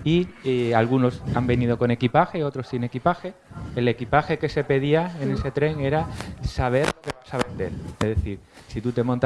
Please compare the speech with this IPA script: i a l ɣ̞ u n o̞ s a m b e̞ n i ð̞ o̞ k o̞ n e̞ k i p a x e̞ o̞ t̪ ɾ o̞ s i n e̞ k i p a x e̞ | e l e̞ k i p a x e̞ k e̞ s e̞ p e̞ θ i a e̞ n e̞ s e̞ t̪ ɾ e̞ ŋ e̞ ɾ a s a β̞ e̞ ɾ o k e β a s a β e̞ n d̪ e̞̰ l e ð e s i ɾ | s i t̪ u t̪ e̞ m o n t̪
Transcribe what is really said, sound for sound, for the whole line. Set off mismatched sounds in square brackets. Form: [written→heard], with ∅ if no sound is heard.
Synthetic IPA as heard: i a l ɣ̞ u n o̞ s a m b e̞ n i ð̞ o̞ k o̞ n e̞ k i p a x e̞ o̞ t̪ ɾ o̞ s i n e̞ k i p a x e̞ | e l e̞ k i p a x e̞ k e̞ s e̞ p e̞ [θ→ð] i a e̞ n e̞ s e̞ t̪ ɾ e̞ ŋ e̞ ɾ a s a β̞ e̞ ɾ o k e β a s a β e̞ n d̪ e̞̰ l e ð e [s→θ] i ɾ | s i t̪ u t̪ e̞ m o n t̪